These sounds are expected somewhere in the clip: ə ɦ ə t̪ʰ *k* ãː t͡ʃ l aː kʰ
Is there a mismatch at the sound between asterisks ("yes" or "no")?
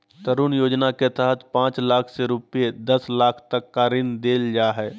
yes